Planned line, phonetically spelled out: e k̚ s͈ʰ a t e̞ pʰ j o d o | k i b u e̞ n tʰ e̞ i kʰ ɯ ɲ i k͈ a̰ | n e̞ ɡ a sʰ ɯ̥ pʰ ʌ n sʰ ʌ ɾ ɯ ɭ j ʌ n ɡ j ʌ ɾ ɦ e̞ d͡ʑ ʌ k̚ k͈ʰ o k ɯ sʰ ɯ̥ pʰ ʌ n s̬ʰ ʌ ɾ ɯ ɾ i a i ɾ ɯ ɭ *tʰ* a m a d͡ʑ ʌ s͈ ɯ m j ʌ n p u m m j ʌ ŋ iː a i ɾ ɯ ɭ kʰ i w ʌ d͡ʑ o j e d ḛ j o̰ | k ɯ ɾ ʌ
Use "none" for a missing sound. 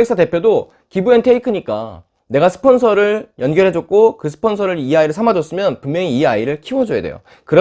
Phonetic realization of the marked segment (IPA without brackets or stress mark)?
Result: sʰ